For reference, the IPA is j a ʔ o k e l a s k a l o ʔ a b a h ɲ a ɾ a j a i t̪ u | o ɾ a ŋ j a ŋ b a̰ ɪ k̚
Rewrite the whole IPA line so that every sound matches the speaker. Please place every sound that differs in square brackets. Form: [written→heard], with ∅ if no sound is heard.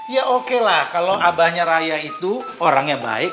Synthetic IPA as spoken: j a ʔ o k e l a [s→h] k a l o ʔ a b a h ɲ a ɾ a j a i t̪ u | o ɾ a ŋ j a ŋ b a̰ ɪ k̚